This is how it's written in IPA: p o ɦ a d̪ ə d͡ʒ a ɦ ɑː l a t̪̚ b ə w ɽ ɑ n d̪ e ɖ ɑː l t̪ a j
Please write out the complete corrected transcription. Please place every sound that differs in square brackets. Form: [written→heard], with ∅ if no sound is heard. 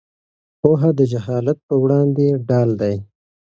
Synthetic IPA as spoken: p o ɦ a d̪ ə d͡ʒ a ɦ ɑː l a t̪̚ [b→p] ə w ɽ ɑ n d̪ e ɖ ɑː l [t̪→d̪] a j